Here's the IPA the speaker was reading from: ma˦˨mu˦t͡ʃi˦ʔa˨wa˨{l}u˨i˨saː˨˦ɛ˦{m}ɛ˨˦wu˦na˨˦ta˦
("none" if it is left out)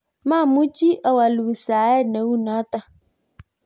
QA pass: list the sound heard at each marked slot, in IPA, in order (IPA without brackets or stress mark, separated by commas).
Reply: l, n